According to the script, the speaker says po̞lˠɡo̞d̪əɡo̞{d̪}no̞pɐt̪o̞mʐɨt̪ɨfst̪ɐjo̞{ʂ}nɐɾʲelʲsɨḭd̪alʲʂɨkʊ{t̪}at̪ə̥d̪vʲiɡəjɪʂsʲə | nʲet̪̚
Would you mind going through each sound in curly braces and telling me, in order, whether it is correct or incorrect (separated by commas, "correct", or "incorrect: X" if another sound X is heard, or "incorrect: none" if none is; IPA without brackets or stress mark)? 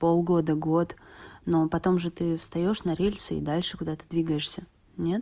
incorrect: t̪, correct, incorrect: d̪